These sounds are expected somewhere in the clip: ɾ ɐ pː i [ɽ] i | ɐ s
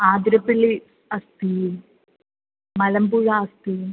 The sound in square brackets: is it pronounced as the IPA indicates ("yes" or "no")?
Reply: no